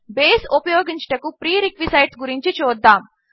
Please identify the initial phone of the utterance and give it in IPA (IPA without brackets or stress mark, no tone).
b